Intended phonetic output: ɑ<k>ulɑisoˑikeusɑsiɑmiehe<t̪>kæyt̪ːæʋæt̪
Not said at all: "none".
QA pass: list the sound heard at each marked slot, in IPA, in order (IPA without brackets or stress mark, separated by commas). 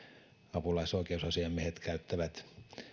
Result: p, t̪